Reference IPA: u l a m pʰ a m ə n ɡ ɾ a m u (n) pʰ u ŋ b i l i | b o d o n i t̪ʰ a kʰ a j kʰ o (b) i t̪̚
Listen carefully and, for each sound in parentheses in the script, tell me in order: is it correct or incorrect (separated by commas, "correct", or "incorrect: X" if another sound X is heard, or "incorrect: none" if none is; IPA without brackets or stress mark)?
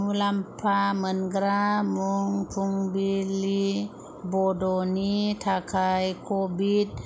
incorrect: ŋ, correct